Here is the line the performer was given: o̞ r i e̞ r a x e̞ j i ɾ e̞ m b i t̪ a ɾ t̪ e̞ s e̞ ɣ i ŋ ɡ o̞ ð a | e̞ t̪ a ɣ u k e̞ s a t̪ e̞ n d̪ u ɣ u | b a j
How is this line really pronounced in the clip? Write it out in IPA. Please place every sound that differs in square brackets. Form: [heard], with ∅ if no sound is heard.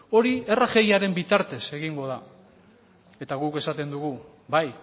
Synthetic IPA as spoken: o̞ [ɾ] i e̞ r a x e̞ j [a] ɾ e̞ m b i t̪ a ɾ t̪ e̞ s e̞ ɣ i ŋ ɡ o̞ ð a | e̞ t̪ a ɣ u k e̞ s a t̪ e̞ n d̪ u ɣ u | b a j